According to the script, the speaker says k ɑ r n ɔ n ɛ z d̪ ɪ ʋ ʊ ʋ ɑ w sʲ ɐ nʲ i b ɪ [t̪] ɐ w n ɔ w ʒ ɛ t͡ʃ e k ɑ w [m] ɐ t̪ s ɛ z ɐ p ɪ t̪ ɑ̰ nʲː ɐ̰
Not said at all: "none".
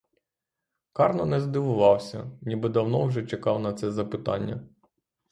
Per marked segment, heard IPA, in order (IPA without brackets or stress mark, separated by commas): d̪, n